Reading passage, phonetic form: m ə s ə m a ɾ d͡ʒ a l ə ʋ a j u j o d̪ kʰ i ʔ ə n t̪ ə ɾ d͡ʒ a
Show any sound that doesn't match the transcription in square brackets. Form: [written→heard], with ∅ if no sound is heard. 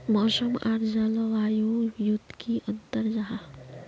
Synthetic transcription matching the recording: m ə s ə m a ɾ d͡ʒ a l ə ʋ a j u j [o→u] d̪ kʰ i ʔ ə n t̪ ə ɾ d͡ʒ a

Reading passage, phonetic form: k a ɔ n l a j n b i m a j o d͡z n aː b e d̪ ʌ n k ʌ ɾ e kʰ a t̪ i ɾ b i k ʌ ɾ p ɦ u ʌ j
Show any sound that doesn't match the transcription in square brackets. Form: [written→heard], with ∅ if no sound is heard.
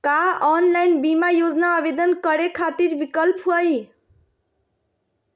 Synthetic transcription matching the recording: k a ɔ n l a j n b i m a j o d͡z n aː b e d̪ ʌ n k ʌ ɾ e kʰ a t̪ i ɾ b i k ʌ [ɾ→l] p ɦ u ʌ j

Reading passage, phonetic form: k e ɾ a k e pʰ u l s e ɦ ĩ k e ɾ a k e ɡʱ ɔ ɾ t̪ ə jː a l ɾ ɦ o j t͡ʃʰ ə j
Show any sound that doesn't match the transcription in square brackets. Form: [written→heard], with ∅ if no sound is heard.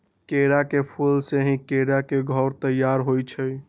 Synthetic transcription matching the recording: k e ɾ a k e pʰ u l s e ɦ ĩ k e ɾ a k e ɡʱ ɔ ɾ t̪ ə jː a [l→∅] ɾ ɦ o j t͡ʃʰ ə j

